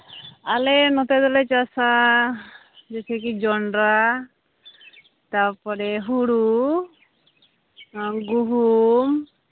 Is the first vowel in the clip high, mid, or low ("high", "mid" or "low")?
low